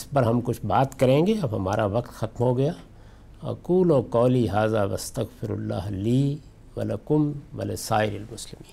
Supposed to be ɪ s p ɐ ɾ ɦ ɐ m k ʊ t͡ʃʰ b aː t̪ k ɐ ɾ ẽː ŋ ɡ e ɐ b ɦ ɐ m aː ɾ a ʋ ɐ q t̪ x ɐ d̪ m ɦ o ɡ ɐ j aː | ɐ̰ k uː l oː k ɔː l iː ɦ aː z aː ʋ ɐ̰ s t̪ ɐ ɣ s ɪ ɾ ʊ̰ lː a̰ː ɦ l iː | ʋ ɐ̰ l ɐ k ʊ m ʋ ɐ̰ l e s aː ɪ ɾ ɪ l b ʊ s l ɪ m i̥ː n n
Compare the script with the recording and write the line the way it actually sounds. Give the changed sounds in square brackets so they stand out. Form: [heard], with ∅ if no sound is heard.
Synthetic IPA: ɪ s p ɐ ɾ ɦ ɐ m k ʊ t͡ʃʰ b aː t̪ k ɐ ɾ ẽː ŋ ɡ e ɐ b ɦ ɐ m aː ɾ a ʋ ɐ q t̪ x ɐ [t̪] m ɦ o ɡ ɐ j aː | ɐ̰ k uː l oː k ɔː l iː ɦ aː z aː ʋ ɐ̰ s t̪ ɐ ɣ [f] ɪ ɾ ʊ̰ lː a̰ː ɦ l iː | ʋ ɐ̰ l ɐ k ʊ m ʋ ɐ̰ l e s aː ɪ ɾ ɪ l [m] ʊ s l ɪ m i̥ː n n